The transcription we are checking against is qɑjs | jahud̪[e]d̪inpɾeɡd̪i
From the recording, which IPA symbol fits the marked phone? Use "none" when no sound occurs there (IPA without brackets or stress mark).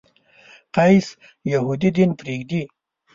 i